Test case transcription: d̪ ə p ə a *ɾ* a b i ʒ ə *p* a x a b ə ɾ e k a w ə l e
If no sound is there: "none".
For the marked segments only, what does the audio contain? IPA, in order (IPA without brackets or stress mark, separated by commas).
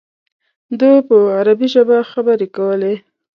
ɾ, b